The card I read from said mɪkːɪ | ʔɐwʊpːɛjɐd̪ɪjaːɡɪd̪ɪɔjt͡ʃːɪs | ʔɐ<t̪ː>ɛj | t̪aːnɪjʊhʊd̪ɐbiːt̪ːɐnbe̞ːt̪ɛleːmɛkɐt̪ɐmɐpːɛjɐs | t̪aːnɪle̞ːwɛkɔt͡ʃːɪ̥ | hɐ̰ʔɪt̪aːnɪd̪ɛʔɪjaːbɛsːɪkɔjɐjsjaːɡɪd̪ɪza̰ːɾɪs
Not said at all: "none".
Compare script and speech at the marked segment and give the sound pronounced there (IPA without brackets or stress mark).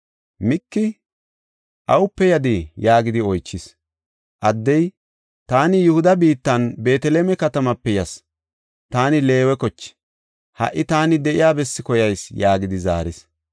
d̪ː